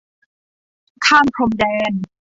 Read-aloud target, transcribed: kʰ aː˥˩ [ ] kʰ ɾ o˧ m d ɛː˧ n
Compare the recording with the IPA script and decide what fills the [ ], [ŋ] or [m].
m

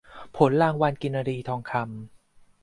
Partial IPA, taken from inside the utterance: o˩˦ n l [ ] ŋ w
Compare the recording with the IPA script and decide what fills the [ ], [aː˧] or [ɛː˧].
aː˧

